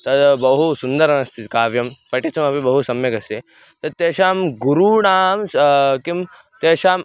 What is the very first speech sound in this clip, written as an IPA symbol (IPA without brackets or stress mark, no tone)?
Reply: t̪